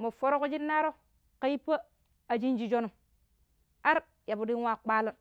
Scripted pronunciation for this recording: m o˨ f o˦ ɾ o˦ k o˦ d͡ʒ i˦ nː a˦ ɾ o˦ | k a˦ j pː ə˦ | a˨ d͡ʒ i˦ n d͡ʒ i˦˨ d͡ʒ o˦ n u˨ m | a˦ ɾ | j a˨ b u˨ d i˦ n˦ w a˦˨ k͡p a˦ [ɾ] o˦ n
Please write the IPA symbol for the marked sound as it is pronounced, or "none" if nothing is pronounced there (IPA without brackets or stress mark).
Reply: l